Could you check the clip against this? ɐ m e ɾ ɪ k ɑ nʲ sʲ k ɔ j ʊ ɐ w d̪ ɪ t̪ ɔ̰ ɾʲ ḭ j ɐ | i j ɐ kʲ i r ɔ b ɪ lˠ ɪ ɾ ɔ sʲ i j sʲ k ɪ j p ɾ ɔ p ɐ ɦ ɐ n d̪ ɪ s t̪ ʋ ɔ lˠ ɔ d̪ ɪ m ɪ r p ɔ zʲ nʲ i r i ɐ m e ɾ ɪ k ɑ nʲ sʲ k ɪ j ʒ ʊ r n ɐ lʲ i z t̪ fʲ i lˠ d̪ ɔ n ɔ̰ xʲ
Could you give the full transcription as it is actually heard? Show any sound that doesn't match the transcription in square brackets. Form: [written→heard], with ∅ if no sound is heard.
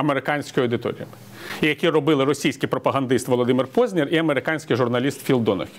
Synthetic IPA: ɐ m e ɾ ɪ k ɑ nʲ sʲ k ɔ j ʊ ɐ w d̪ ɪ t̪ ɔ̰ ɾʲ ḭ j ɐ | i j ɐ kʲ i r ɔ b ɪ lˠ ɪ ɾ ɔ sʲ i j sʲ k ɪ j p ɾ ɔ p ɐ ɦ ɐ n d̪ ɪ s t̪ ʋ ɔ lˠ ɔ d̪ ɪ m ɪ r p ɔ zʲ nʲ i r i ɐ m e ɾ ɪ k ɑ nʲ sʲ k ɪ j ʒ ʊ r n ɐ lʲ i [z→s] t̪ fʲ i lˠ d̪ ɔ n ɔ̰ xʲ